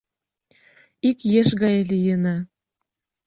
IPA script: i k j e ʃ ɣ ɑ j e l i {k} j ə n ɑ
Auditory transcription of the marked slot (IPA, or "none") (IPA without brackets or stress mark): none